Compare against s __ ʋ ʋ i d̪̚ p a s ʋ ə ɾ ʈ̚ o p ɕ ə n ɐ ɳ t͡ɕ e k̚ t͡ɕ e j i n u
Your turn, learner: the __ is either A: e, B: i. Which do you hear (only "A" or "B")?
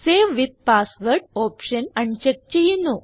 A